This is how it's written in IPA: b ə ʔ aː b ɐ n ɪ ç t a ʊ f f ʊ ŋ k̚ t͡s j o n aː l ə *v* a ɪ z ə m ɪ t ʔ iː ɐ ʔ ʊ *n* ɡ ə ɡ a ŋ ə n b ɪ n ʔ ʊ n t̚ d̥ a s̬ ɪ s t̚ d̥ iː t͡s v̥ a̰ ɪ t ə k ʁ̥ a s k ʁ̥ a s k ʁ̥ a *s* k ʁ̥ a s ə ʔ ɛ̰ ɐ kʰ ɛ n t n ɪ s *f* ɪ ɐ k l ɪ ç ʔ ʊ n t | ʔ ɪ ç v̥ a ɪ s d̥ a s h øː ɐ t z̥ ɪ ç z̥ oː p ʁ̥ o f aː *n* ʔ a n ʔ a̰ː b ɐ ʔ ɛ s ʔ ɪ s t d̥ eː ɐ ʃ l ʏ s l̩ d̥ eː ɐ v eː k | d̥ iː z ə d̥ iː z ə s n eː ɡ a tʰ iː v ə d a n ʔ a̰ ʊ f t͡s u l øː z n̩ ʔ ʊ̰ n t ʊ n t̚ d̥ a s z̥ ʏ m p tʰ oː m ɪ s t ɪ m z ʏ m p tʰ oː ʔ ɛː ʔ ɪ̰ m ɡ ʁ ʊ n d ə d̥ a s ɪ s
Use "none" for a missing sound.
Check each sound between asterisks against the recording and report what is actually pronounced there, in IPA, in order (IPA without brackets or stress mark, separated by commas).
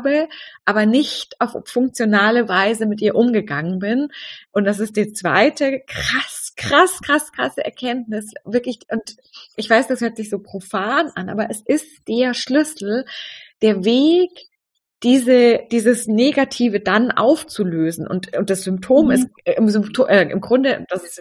v, m, s, v, n